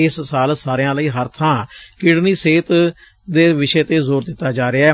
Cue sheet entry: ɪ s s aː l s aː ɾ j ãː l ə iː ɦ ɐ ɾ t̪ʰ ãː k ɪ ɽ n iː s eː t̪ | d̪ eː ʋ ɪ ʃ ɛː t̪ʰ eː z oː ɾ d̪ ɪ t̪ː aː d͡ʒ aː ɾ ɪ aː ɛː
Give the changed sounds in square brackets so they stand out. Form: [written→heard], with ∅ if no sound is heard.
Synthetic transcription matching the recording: ɪ s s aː l s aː ɾ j ãː l ə iː ɦ [ɐ→ə] ɾ t̪ʰ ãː k ɪ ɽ n iː s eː t̪ | d̪ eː ʋ ɪ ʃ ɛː [t̪ʰ→t̪] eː z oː ɾ d̪ ɪ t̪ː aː d͡ʒ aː ɾ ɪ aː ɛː

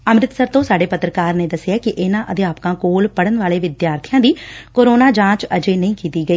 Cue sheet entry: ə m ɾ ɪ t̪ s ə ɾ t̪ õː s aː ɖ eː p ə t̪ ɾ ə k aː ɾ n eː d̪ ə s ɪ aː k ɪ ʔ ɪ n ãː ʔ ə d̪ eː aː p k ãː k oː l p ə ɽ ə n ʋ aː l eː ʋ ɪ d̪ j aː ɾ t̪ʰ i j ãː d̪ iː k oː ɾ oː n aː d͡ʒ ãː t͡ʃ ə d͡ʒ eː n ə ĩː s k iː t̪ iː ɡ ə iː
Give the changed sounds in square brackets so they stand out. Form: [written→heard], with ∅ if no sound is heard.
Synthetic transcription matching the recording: ə m ɾ ɪ t̪ s ə ɾ t̪ õː s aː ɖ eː p ə t̪ ɾ ə k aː ɾ n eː d̪ ə s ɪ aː k ɪ ʔ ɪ n ãː ʔ ə d̪ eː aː p k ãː k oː l p ə ɽ ə n ʋ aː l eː ʋ ɪ d̪ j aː ɾ t̪ʰ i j ãː d̪ iː k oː ɾ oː n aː d͡ʒ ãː t͡ʃ ə d͡ʒ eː n ə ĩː [s→∅] k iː t̪ iː ɡ ə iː

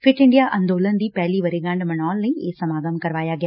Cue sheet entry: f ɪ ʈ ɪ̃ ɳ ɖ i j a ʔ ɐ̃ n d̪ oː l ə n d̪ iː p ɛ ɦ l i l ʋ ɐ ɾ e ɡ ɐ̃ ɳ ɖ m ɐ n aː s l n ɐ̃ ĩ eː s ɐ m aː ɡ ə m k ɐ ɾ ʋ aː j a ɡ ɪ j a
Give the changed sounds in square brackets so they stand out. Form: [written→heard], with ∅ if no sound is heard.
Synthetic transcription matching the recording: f ɪ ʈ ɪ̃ ɳ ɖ i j a ʔ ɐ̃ n d̪ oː l ə n d̪ iː p ɛ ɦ l i [l→∅] ʋ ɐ ɾ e ɡ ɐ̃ ɳ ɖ m ɐ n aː [s→∅] l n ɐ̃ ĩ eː s ɐ m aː ɡ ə m k ɐ ɾ ʋ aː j a ɡ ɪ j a

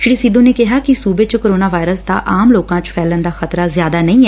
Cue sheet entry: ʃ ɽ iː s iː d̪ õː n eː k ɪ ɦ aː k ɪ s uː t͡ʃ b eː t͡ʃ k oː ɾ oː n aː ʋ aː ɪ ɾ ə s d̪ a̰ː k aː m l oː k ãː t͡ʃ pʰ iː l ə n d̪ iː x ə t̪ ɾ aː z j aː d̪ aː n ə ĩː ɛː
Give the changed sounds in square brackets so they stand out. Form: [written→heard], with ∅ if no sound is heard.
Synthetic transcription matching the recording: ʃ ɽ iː s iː d̪ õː n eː k ɪ ɦ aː k ɪ s uː [t͡ʃ→∅] b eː t͡ʃ k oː ɾ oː n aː ʋ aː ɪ ɾ ə s d̪ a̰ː [k→ʔ] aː m l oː k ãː t͡ʃ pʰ [iː→ɛː] l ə n d̪ [iː→aː] x ə t̪ ɾ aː z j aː d̪ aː n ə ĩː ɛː

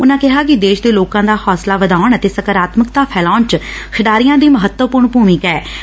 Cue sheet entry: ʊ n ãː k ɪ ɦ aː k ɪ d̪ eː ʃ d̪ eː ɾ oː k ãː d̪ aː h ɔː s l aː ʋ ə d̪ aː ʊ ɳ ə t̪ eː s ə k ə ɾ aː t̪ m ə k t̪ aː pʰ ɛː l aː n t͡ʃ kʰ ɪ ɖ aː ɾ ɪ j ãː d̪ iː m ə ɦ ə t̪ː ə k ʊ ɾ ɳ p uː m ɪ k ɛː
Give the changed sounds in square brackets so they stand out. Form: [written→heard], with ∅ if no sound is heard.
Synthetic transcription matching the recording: ʊ n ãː k ɪ ɦ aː k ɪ d̪ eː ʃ d̪ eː [ɾ→l] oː k ãː d̪ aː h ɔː s l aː ʋ ə d̪ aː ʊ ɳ ə t̪ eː s ə k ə ɾ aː t̪ m ə k t̪ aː pʰ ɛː l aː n t͡ʃ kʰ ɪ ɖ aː ɾ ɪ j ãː d̪ iː m ə ɦ ə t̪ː ə [k→p] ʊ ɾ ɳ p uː m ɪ k ɛː

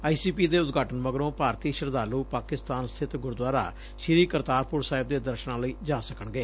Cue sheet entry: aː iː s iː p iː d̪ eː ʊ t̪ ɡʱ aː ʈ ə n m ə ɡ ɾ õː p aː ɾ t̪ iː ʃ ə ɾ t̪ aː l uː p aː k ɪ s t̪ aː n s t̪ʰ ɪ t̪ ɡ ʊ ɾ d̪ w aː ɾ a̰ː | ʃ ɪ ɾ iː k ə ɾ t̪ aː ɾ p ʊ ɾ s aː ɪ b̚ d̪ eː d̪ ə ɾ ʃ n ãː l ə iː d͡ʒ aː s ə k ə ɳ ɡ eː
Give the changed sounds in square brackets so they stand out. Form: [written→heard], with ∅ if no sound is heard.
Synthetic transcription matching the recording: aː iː s iː p iː d̪ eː ʊ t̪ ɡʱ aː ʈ ə n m ə ɡ ɾ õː p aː ɾ t̪ iː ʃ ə ɾ [t̪→d̪] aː l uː p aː k ɪ s t̪ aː n s t̪ʰ ɪ t̪ ɡ ʊ ɾ d̪ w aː ɾ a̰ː | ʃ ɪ ɾ iː k ə ɾ t̪ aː ɾ p ʊ ɾ s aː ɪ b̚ d̪ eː d̪ ə ɾ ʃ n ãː l ə iː d͡ʒ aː s ə k ə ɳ ɡ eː

